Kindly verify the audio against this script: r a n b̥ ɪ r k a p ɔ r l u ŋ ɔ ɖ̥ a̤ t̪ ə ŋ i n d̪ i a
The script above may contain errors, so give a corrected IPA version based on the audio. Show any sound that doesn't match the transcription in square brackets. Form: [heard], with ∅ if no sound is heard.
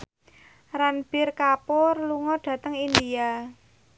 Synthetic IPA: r a n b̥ ɪ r k a p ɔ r l u ŋ ɔ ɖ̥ a̤ t̪ ə ŋ i n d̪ i a